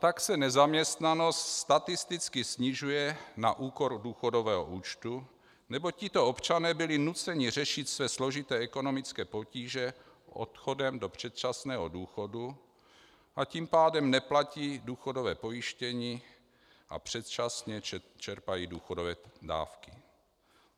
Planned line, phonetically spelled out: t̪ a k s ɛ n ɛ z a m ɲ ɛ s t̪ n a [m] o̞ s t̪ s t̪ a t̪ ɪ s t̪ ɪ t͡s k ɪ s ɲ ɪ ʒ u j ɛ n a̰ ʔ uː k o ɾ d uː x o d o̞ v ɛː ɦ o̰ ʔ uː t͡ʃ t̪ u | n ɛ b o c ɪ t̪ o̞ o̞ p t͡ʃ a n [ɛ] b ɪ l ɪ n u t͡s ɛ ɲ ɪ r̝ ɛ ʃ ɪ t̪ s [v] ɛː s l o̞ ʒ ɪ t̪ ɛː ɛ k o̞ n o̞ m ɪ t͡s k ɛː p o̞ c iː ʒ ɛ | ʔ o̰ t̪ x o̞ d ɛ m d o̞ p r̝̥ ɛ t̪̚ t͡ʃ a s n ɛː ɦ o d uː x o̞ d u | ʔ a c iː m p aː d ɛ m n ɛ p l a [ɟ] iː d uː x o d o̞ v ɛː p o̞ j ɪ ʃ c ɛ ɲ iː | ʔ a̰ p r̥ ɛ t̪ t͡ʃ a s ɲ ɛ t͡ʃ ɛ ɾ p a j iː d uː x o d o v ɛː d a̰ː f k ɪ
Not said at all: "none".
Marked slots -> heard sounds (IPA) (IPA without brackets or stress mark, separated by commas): n, ɛː, v, c